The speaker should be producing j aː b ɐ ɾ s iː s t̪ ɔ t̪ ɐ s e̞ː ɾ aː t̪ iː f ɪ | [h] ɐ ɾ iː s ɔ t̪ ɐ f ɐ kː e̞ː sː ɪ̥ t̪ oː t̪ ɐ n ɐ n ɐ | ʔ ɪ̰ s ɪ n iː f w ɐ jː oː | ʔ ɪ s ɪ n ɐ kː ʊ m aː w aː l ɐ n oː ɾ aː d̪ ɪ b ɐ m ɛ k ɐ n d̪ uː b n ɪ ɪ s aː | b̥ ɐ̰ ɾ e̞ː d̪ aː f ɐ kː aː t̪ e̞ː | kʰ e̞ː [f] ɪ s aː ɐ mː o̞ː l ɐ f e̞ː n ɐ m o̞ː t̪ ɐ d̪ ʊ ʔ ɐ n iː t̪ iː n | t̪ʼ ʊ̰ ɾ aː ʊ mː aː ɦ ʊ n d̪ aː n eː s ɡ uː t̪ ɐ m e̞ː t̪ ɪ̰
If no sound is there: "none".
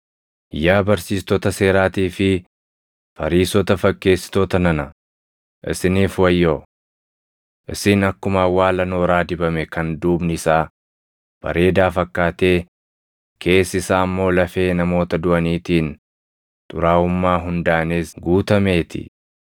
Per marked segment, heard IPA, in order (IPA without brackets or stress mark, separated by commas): f, s